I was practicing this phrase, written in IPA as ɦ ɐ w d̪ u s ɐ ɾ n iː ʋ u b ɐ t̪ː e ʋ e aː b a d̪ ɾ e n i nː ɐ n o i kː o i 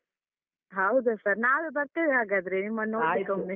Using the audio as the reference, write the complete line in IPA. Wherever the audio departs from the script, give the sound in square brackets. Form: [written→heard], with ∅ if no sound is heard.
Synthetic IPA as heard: ɦ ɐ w d̪ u s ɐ ɾ n [iː→aː] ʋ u b ɐ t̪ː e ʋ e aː [b→ɡ] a d̪ ɾ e n i [nː→mː] ɐ n o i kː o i

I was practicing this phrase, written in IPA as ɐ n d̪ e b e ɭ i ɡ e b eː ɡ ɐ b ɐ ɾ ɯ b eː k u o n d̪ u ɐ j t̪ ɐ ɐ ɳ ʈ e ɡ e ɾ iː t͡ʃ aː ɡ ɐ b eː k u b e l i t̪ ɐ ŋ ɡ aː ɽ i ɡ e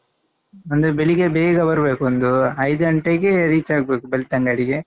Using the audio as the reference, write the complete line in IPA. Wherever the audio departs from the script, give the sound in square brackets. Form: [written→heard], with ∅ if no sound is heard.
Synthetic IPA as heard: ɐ n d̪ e b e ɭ i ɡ e b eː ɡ ɐ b ɐ ɾ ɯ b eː k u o n d̪ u ɐ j [t̪→d̪] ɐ ɐ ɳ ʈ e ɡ e ɾ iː t͡ʃ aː ɡ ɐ b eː k u b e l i t̪ ɐ ŋ ɡ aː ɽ i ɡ e

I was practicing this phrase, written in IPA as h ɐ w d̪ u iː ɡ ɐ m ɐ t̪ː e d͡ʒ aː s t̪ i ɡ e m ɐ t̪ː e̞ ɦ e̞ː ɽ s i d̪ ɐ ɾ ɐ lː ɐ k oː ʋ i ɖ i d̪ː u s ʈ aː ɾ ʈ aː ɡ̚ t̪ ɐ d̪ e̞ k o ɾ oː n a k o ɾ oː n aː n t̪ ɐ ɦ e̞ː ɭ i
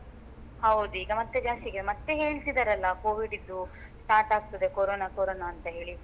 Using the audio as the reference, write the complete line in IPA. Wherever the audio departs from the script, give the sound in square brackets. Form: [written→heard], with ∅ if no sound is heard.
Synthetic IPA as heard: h ɐ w d̪ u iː ɡ ɐ m ɐ t̪ː e d͡ʒ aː s t̪ i ɡ e m ɐ t̪ː e̞ ɦ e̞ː [ɽ→ɭ] s i d̪ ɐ ɾ ɐ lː ɐ k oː ʋ i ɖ i d̪ː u s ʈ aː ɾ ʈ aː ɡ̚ t̪ ɐ d̪ e̞ k o ɾ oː n a k o ɾ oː n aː n t̪ ɐ ɦ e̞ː ɭ i

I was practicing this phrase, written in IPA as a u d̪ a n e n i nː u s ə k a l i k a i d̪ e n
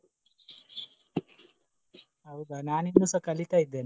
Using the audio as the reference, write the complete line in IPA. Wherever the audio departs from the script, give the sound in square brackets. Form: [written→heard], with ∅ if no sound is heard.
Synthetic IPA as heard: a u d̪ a n [e→a] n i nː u s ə k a l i k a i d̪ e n

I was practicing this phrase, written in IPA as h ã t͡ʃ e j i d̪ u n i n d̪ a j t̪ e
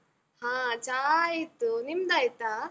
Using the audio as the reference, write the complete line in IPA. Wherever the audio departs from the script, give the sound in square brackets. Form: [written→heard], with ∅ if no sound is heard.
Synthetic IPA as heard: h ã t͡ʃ [e→a] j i [d̪→t̪] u n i [n→m] d̪ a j t̪ [e→a]

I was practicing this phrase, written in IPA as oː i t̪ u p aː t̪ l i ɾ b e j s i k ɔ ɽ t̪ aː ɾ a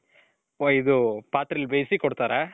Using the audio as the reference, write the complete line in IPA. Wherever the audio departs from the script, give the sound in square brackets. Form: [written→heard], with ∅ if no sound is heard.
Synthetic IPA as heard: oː i [t̪→d̪] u p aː t̪ [l→ɾ] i [ɾ→l] b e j s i k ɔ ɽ t̪ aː ɾ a

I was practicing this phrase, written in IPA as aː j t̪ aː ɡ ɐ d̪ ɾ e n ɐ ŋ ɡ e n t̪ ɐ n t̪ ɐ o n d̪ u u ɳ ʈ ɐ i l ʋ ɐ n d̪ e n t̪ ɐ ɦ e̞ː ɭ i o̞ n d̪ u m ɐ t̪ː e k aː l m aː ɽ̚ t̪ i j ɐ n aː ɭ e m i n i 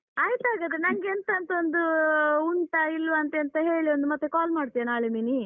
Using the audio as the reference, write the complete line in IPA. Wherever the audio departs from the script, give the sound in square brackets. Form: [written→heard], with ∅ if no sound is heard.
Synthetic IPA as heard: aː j t̪ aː ɡ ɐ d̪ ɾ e n ɐ ŋ ɡ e n t̪ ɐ n t̪ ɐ o n d̪ u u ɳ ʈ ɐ i l ʋ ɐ n [d̪→t̪] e n t̪ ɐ ɦ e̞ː ɭ i o̞ n d̪ u m ɐ t̪ː e k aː l m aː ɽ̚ t̪ i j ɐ n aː ɭ e m i n i

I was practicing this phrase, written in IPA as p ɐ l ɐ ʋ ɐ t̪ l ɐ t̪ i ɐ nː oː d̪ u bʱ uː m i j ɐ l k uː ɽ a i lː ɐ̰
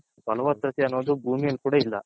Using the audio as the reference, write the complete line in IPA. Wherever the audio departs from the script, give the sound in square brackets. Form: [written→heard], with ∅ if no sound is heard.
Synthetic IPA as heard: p ɐ l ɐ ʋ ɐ t̪ [l→ɾ] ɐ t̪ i ɐ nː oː d̪ u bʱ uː m i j ɐ l k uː ɽ a i lː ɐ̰

